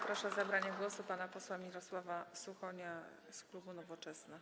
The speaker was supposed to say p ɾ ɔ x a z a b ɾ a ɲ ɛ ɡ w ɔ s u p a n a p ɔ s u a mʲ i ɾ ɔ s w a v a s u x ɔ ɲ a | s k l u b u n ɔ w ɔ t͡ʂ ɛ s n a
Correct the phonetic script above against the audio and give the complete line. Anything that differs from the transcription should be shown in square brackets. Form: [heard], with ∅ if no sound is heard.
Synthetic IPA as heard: p ɾ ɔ [ʂ] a z a b ɾ a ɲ ɛ ɡ w ɔ s u p a n a p ɔ s [w] a mʲ i ɾ ɔ s w a v a s u x ɔ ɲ a | s k l u b u n ɔ [v] ɔ t͡ʂ ɛ s n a